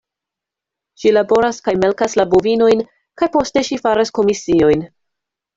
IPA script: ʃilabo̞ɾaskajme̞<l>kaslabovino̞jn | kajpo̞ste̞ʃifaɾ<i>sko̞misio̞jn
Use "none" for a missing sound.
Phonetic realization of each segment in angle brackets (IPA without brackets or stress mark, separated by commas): l, a